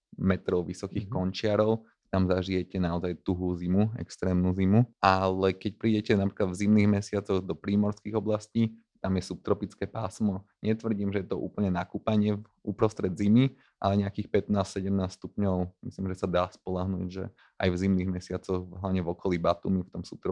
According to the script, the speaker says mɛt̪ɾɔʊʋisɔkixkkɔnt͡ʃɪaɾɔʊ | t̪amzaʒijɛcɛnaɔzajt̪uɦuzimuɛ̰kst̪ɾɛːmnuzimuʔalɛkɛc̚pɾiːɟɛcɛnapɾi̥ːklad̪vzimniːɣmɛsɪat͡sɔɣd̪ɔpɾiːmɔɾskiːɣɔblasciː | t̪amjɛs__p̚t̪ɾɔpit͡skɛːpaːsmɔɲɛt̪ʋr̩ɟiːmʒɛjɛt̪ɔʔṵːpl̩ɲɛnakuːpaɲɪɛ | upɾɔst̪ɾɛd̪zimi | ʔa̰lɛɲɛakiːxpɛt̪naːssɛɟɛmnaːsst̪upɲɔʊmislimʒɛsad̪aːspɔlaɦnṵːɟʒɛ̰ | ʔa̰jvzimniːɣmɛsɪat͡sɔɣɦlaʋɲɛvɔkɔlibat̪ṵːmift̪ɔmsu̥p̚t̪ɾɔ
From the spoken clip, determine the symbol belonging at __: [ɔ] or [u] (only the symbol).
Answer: u